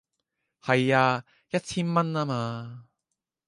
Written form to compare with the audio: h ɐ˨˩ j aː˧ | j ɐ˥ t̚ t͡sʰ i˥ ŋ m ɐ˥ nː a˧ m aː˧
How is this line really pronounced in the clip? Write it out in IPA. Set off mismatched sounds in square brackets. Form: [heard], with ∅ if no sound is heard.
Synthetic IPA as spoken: h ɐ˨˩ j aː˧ | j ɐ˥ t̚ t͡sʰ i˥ [n] m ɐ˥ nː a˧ m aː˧